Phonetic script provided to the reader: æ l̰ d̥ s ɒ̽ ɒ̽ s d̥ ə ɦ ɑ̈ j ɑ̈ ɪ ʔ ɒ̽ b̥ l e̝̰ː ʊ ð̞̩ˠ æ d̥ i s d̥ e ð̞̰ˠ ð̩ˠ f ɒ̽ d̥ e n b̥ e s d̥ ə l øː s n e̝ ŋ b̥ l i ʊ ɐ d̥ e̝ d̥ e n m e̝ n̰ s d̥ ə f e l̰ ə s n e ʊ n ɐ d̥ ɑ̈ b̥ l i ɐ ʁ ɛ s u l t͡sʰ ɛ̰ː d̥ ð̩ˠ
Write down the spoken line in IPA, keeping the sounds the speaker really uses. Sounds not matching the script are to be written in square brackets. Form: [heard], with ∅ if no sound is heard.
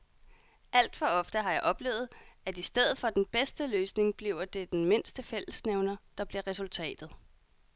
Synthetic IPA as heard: æ l̰ d̥ [f] ɒ̽ ɒ̽ [f] d̥ ə ɦ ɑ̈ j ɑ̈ ɪ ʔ ɒ̽ b̥ l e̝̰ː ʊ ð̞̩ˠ æ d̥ i s d̥ e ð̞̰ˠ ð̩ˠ f ɒ̽ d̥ e n b̥ e s d̥ ə l øː s n e̝ ŋ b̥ l i ʊ ɐ d̥ e̝ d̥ e n m e̝ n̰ s d̥ ə f e l̰ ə s n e ʊ n ɐ d̥ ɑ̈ b̥ l i ɐ ʁ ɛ s u l t͡sʰ ɛ̰ː d̥ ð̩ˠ

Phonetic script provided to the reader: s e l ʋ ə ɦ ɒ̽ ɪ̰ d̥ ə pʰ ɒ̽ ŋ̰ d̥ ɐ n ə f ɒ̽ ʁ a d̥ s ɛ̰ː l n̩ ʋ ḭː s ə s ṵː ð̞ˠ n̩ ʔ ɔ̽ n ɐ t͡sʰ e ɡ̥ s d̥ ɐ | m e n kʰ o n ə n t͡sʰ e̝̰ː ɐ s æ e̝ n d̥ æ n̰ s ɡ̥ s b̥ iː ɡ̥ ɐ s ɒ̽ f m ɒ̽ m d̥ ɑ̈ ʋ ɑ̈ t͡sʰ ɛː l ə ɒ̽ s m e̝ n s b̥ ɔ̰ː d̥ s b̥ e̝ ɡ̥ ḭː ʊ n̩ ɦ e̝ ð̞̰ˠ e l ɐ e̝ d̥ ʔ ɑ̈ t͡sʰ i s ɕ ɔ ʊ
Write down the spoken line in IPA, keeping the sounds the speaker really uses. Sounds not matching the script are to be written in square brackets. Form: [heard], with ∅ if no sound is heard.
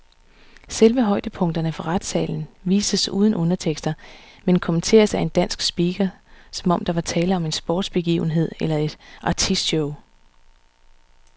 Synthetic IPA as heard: s e l ʋ ə ɦ ɒ̽ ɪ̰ d̥ ə pʰ [ɔ̽] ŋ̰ d̥ ɐ n ə f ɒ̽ ʁ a d̥ s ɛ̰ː l n̩ ʋ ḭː s ə s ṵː ð̞ˠ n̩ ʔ ɔ̽ n ɐ t͡sʰ e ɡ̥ s d̥ ɐ | m e n kʰ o [m] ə n t͡sʰ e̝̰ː ɐ s æ e̝ n d̥ æ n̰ s ɡ̥ s b̥ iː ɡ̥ ɐ s ɒ̽ [∅] m ɒ̽ m d̥ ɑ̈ ʋ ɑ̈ t͡sʰ ɛː l ə ɒ̽ [∅] m e̝ n s b̥ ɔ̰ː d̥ s b̥ e̝ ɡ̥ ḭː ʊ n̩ ɦ e̝ ð̞̰ˠ e l ɐ e̝ d̥ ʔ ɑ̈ t͡sʰ i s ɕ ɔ ʊ

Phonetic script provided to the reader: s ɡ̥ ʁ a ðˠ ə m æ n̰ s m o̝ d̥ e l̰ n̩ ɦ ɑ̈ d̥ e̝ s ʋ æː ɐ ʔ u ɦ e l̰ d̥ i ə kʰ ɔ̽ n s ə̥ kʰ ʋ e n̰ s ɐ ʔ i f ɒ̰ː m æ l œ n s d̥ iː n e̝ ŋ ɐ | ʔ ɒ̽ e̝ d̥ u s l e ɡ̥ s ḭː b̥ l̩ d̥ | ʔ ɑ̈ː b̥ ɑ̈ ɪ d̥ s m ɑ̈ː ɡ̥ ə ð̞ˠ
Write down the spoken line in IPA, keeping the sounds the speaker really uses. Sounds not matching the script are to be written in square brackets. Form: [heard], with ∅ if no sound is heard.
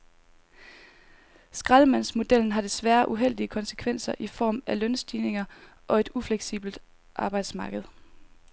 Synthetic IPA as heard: s ɡ̥ ʁ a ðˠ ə m æ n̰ s m o̝ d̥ e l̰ n̩ ɦ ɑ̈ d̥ e̝ s ʋ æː ɐ ʔ u ɦ e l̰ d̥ i ə kʰ [ɒ̽] n s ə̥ kʰ ʋ e n̰ s ɐ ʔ i f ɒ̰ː m æ l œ n s d̥ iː n e̝ ŋ ɐ | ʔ ɒ̽ e̝ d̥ u [f] l e ɡ̥ s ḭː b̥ l̩ d̥ | ʔ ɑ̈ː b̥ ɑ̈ ɪ d̥ s m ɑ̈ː ɡ̥ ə ð̞ˠ

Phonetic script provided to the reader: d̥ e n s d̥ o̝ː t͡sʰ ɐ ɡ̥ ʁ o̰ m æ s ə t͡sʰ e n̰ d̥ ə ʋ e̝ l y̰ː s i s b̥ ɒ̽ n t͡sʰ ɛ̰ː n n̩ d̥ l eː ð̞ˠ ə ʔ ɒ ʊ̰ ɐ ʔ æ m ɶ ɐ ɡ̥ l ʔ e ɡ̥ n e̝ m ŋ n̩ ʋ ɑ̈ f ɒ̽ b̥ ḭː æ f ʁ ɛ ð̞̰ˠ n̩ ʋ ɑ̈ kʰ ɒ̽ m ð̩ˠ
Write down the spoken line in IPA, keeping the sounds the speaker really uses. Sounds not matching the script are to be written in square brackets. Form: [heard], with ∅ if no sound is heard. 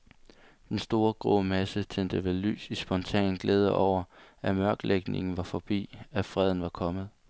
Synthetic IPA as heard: d̥ e n s d̥ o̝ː [∅] ɐ ɡ̥ ʁ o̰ m æ s ə t͡sʰ e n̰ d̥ ə ʋ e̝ l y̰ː s i s b̥ ɒ̽ n t͡sʰ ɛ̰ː n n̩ [ɡ̥] l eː ð̞ˠ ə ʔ ɒ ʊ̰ ɐ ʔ æ m ɶ ɐ ɡ̥ l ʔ e ɡ̥ n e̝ [∅] ŋ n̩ ʋ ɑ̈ f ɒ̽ b̥ ḭː æ f ʁ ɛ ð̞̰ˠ n̩ ʋ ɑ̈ kʰ ɒ̽ m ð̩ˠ

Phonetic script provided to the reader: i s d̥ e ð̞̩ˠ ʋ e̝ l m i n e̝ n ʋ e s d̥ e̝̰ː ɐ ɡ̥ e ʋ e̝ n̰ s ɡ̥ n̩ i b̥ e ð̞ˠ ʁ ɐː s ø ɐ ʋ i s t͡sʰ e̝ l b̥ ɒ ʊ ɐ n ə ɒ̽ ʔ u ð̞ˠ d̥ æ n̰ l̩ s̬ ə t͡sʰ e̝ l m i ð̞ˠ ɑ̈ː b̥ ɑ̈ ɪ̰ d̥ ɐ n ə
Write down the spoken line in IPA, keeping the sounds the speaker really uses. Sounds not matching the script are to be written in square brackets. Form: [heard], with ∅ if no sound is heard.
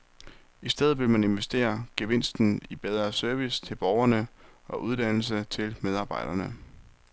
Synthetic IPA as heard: i s d̥ e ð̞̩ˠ ʋ e̝ l m [æ] n e̝ n ʋ e s d̥ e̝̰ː ɐ ɡ̥ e ʋ e̝ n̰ s [d̥] n̩ i b̥ e ð̞ˠ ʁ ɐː s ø ɐ ʋ i s t͡sʰ e̝ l b̥ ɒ ʊ ɐ n ə ɒ̽ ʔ u ð̞ˠ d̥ æ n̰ l̩ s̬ ə t͡sʰ e̝ l m [e] ð̞ˠ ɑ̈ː b̥ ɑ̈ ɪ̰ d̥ ɐ n ə

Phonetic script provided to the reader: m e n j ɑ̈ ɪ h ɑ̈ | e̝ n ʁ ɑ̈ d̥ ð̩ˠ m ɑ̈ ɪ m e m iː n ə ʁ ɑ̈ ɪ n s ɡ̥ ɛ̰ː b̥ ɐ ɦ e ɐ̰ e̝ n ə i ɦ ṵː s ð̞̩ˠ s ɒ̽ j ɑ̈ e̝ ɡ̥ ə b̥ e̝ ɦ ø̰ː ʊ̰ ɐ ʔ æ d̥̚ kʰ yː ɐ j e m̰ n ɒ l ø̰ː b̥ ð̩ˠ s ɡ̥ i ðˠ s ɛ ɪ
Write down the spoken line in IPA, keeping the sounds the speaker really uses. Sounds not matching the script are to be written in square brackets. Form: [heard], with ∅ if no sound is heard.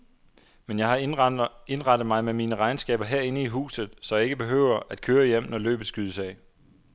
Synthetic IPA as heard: m e n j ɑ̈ ɪ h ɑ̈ | e̝ n ʁ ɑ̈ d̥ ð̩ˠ m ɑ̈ ɪ m e m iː n ə ʁ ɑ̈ ɪ n s ɡ̥ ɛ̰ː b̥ ɐ ɦ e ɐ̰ e̝ n ə i ɦ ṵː s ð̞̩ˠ s ɒ̽ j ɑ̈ e̝ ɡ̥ ə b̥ e̝ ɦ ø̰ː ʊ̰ ɐ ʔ æ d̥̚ kʰ [øː] ɐ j e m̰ n ɒ l ø̰ː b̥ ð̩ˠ s ɡ̥ [y] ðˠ s ɛ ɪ

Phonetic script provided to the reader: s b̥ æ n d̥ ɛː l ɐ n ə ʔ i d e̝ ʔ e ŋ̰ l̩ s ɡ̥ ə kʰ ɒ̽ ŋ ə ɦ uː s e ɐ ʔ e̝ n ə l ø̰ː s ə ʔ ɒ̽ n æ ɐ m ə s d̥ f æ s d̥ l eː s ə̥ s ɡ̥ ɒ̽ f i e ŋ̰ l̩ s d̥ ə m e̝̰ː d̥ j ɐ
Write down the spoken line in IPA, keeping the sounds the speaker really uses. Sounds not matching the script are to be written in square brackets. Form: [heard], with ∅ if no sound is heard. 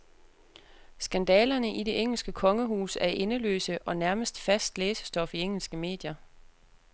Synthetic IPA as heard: s [ɡ̥] æ n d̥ ɛː l ɐ n ə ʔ i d e̝ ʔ e ŋ̰ l̩ s ɡ̥ ə kʰ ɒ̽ ŋ ə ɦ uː s [æ] ɐ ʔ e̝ n ə l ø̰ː s ə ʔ ɒ̽ n æ ɐ m ə s d̥ f æ s d̥ l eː s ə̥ s [d̥] ɒ̽ f i e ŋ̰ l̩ s [ɡ̥] ə m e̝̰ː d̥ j ɐ

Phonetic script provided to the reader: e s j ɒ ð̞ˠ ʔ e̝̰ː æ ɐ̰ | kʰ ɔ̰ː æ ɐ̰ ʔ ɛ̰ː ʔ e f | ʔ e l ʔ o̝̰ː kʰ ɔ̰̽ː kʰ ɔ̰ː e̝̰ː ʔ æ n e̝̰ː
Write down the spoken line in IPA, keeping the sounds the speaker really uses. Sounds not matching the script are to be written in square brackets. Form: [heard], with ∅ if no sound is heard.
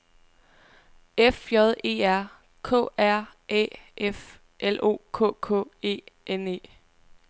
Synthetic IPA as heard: e [f] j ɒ ð̞ˠ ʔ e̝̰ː æ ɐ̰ | kʰ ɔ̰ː æ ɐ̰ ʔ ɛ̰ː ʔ e f | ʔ e l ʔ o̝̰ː kʰ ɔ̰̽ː kʰ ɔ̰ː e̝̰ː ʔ [e] n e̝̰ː

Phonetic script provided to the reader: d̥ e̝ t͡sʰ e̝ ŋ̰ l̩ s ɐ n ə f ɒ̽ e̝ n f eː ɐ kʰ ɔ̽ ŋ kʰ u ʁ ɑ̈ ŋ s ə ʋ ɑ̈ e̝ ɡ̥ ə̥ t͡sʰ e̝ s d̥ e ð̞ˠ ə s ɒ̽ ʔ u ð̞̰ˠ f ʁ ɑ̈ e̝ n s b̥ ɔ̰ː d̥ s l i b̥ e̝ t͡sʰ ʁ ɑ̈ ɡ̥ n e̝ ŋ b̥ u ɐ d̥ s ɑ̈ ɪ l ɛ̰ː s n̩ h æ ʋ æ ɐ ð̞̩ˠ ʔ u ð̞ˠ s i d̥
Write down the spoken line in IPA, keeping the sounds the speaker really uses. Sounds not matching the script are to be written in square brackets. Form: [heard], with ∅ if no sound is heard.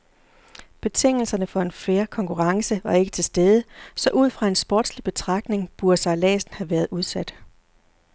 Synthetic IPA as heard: [b̥] e̝ t͡sʰ e̝ ŋ̰ l̩ s ɐ n ə f ɒ̽ e̝ n f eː ɐ kʰ [ɒ̽] ŋ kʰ u ʁ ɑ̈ ŋ s ə ʋ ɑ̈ e̝ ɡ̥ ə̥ t͡sʰ e̝ s d̥ e ð̞ˠ ə s ɒ̽ ʔ u ð̞̰ˠ f ʁ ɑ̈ e̝ n s b̥ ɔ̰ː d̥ s l i b̥ e̝ t͡sʰ ʁ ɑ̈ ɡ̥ n e̝ ŋ b̥ u ɐ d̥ s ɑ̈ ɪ l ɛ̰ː s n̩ h æ ʋ æ ɐ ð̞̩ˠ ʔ u ð̞ˠ s [æ] d̥

